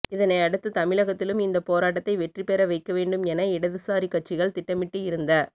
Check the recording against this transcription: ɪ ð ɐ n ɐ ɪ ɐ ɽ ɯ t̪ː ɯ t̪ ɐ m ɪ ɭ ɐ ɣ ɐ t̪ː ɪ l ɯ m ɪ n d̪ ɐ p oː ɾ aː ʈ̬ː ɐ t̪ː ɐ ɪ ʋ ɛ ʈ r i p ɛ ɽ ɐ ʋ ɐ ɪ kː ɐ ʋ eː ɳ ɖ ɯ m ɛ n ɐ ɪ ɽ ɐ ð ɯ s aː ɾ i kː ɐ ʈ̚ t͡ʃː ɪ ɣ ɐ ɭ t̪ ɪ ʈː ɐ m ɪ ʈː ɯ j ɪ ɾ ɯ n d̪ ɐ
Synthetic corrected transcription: ɪ ð ɐ n ɐ ɪ ɐ ɽ ɯ t̪ː ɯ t̪ ɐ m ɪ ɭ ɐ ɣ ɐ t̪ː ɪ l ɯ m ɪ n d̪ ɐ p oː ɾ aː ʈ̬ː ɐ t̪ː ɐ ɪ ʋ ɛ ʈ r i p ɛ ɾ ɐ ʋ ɐ ɪ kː ɐ ʋ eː ɳ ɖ ɯ m ɛ n ɐ ɪ ɽ ɐ ð ɯ s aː ɾ i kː ɐ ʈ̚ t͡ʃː ɪ ɣ ɐ ɭ t̪ ɪ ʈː ɐ m ɪ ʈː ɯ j ɪ ɾ ɯ n d̪ ɐ